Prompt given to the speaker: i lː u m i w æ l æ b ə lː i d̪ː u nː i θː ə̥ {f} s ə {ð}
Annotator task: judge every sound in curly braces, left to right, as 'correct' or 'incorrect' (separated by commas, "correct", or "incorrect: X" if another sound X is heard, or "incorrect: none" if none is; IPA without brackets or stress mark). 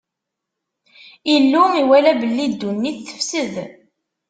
correct, correct